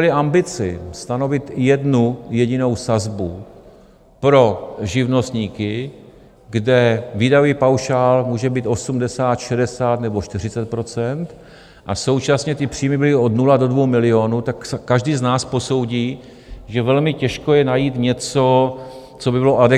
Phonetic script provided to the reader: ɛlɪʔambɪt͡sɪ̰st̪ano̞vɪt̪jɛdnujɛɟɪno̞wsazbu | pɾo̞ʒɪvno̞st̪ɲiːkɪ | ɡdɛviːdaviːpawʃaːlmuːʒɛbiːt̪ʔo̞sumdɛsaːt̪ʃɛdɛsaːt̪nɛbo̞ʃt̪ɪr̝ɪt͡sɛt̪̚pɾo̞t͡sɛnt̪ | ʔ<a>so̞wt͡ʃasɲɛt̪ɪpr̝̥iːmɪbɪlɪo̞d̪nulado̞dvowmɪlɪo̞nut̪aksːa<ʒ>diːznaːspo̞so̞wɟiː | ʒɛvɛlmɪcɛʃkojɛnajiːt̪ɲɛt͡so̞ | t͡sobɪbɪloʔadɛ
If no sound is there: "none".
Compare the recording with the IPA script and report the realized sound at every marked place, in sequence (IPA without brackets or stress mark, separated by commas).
a, ʒ